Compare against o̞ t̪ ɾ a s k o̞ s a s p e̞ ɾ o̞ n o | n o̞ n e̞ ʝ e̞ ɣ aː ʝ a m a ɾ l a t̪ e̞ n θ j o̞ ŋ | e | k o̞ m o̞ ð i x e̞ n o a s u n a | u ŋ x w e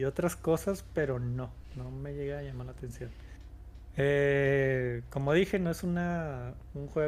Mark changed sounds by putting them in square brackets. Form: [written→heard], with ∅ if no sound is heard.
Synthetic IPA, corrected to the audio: o̞ t̪ ɾ a s k o̞ s a s p e̞ ɾ o̞ n o | n o̞ [n→m] e̞ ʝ e̞ ɣ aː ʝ a m a ɾ l a t̪ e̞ n [θ→s] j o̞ [ŋ→n] | e | k o̞ m o̞ ð i x e̞ n o [a→e] s u n a | u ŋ x w e